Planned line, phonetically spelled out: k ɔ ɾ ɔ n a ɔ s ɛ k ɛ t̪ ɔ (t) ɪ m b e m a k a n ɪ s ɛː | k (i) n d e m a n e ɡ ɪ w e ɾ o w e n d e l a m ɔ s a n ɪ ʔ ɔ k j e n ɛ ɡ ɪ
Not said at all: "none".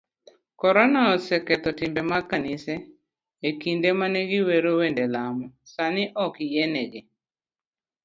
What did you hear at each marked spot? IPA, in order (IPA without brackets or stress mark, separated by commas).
t, i